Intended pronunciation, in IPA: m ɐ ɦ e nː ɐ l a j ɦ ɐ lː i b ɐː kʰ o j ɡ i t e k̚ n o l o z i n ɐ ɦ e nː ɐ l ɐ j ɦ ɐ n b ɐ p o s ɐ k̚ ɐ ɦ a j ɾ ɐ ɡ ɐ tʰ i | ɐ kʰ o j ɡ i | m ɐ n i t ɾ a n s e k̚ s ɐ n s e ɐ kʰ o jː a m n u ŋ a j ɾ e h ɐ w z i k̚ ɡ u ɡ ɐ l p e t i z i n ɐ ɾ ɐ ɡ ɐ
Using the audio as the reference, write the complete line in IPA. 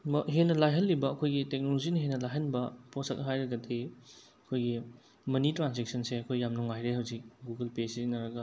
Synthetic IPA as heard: m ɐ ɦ e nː ɐ l a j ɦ ɐ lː i b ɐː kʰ o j ɡ i t e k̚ n o l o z i n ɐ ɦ e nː ɐ l a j ɦ ɐ n b ɐ p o s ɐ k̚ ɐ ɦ a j ɾ ɐ ɡ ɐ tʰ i | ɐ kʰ o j ɡ i | m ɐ n i t ɾ a n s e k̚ s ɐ n s e ɐ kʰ o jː a m n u ŋ a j ɾ e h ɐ w z i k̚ ɡ u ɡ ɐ l p e s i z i n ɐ ɾ ɐ ɡ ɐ

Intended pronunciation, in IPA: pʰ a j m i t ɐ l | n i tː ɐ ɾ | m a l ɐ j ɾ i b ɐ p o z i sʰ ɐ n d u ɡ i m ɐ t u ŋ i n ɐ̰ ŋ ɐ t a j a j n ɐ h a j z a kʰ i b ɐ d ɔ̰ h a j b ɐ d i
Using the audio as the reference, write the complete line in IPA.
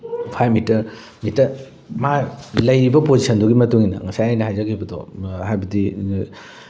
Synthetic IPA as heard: pʰ a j m i t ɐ ɾ | m i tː ɐ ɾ | m a l ɐ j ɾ i b ɐ p o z i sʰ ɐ n d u ɡ i m ɐ t u ŋ i n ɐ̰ ŋ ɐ s a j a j n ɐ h a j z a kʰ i b ɐ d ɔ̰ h a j b ɐ d i

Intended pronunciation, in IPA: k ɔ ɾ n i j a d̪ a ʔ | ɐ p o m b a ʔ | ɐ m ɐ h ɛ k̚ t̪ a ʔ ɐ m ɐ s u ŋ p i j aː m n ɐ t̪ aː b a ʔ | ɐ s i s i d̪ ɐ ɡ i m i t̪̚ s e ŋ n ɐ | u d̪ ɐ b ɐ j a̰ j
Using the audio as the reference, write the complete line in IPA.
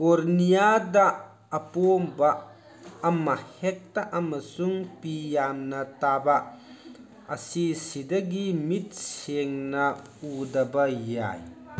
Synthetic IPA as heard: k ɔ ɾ n i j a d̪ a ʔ | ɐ p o m b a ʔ | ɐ m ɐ h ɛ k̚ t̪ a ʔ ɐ m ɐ s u ŋ p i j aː m n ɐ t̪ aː b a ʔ | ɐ s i s i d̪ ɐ ɡ i m i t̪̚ s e ŋ n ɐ | u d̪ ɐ b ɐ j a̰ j

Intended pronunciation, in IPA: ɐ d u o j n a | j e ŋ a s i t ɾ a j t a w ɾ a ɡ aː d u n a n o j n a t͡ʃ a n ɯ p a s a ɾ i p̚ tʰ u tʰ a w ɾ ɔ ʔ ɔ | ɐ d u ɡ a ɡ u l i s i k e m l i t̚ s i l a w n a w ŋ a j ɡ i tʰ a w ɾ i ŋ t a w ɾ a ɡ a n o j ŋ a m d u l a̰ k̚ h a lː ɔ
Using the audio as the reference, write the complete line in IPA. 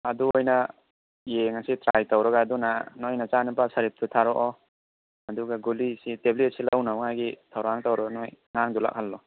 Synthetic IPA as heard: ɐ d u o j n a | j e ŋ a s i t ɾ a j t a w ɾ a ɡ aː d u n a n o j n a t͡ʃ a n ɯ p a s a ɾ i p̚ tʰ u tʰ a ɾ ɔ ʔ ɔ | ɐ d u ɡ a ɡ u l i s i t e b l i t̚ s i l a w n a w ŋ a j ɡ i tʰ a w ɾ a ŋ t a w ɾ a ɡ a n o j ŋ a ŋ d u l a̰ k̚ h a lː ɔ

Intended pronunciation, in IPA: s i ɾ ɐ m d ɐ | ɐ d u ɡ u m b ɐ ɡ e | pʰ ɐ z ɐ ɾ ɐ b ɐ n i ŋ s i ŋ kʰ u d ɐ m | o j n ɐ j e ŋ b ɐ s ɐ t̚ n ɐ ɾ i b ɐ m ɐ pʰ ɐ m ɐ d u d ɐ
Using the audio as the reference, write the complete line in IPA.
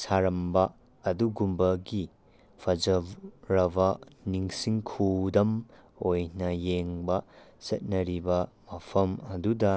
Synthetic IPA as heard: s a ɾ ɐ m b ɐ | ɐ d u ɡ u m b ɐ ɡ i | pʰ ɐ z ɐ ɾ ɐ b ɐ n i ŋ s i ŋ kʰ u d ɐ m | o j n ɐ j e ŋ b ɐ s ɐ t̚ n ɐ ɾ i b ɐ m ɐ pʰ ɐ m ɐ d u d ɐ

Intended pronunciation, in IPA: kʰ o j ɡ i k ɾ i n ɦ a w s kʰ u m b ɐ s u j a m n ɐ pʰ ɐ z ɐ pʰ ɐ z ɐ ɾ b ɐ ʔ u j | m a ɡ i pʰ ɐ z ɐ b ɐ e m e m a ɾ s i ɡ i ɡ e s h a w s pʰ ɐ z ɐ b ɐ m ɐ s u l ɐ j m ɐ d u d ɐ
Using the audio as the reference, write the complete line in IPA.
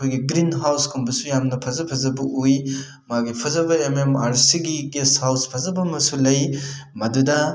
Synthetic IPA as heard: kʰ o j ɡ i ɡ ɾ i n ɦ a w s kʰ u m b ɐ s u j a m n ɐ pʰ ɐ z ɐ pʰ ɐ z ɐ b ɐ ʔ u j | m a ɡ i pʰ ɐ z ɐ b ɐ e m e m a ɾ s i ɡ i ɡ e s h a w s pʰ ɐ z ɐ b ɐ m ɐ s u l ɐ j m ɐ d u d ɐ

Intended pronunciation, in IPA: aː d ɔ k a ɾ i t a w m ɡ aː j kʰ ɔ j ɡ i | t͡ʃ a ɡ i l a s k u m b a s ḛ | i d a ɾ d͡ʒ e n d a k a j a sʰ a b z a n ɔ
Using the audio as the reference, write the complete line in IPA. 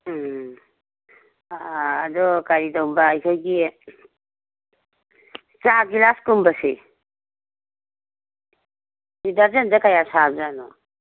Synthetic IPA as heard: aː d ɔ k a ɾ i d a w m b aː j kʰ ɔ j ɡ i | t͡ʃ a ɡ i l a s k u m b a s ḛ | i d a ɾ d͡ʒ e n d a k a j a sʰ a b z a n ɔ

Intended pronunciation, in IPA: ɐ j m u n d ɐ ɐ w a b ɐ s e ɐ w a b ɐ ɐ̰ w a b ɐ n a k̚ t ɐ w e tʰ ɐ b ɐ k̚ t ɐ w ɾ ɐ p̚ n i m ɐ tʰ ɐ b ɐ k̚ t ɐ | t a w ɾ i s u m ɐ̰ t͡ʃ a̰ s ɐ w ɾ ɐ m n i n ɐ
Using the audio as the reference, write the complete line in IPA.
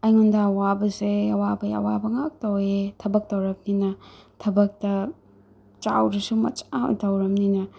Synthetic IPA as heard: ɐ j ŋ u n d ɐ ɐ w a b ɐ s e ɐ w a b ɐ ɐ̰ w a b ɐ ŋ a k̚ t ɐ w e tʰ ɐ b ɐ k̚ t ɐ w ɾ ɐ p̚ n i n ɐ tʰ ɐ b ɐ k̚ t ɐ | t͡ʃ a w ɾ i s u m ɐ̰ t͡ʃ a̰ t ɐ w ɾ ɐ m n i n ɐ

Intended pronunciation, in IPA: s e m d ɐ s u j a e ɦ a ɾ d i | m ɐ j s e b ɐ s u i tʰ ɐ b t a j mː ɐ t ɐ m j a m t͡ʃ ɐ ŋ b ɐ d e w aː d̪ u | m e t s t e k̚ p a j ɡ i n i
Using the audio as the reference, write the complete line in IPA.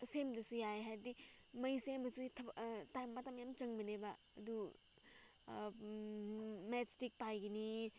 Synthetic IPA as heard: s e m d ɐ s u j a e ɦ a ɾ d i | m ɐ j s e b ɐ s u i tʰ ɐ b t a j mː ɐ t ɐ m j a m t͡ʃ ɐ ŋ b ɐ n e b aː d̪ u | m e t s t i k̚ p a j ɡ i n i

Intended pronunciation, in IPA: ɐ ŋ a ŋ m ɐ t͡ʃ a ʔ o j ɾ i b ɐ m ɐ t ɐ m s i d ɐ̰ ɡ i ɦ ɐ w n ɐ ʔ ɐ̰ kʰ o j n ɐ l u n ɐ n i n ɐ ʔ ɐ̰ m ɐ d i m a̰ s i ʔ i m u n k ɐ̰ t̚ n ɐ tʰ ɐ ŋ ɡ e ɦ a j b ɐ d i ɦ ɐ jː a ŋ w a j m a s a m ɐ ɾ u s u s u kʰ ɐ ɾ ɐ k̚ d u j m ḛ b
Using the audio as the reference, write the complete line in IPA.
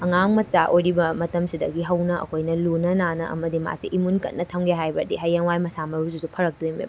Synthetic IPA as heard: ɐ ŋ a ŋ m ɐ t͡ʃ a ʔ o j ɾ i b ɐ m ɐ t ɐ m s i d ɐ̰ ɡ i ɦ ɐ w n ɐ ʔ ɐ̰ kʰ o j n ɐ l u n ɐ n a n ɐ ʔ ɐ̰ m ɐ d i m a̰ s i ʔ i m u n k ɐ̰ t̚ n ɐ tʰ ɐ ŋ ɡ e ɦ a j b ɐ d i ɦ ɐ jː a ŋ w a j m ɐ s a m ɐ ɾ u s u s u pʰ ɐ ɾ ɐ k̚ d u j m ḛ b

